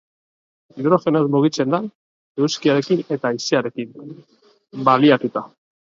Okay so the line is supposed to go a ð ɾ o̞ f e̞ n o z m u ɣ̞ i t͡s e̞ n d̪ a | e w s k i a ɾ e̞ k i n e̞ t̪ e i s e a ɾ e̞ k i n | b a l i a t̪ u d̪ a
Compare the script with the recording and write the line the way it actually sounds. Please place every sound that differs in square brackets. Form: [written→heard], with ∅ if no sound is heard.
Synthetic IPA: [a→i] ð ɾ o̞ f e̞ n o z m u ɣ̞ i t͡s e̞ n d̪ a | e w s k i a ɾ e̞ k i n e̞ t̪ [e→a] i s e a ɾ e̞ k i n | b a l i a t̪ u [d̪→t̪] a